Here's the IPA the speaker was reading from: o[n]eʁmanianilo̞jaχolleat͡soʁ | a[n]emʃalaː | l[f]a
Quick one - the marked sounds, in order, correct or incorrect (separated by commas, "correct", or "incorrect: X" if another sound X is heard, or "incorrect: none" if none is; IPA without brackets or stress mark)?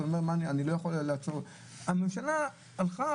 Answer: incorrect: m, incorrect: m, incorrect: χ